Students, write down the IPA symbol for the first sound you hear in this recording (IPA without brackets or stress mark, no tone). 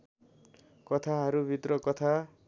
k